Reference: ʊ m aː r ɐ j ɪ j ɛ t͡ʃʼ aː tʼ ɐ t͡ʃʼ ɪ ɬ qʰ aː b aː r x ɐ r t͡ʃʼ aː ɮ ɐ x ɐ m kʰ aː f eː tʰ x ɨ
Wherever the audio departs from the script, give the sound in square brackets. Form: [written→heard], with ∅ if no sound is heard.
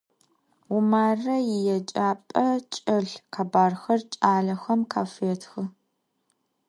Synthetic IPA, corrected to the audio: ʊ m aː r ɐ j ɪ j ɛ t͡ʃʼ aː [tʼ→pʼ] ɐ t͡ʃʼ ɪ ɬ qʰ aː b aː r x ɐ r t͡ʃʼ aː ɮ ɐ x ɐ m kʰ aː f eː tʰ x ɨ